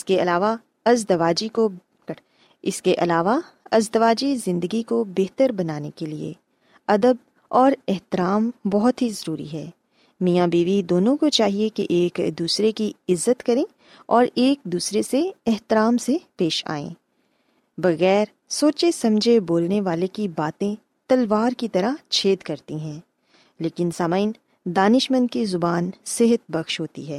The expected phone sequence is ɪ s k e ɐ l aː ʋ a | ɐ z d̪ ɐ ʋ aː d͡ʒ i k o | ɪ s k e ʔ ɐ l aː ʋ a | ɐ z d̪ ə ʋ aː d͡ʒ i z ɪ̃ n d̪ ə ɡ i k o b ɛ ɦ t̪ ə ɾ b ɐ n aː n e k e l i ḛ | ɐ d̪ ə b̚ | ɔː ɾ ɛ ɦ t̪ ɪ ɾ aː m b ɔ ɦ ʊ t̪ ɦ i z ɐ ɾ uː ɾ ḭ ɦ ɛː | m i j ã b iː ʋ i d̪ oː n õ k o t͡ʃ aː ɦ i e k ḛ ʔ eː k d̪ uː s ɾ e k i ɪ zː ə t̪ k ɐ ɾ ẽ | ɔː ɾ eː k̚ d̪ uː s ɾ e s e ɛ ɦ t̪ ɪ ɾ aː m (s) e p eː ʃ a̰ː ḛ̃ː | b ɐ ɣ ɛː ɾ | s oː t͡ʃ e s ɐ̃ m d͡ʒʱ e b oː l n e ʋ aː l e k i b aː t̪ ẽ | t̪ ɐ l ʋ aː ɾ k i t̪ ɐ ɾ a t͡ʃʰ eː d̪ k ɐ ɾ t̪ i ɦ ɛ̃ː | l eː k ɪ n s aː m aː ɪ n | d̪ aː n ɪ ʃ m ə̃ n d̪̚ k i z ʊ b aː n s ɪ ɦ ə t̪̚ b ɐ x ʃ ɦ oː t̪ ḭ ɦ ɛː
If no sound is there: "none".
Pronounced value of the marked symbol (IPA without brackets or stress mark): s